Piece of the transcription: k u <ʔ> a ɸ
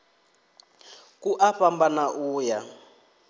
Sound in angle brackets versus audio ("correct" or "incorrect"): correct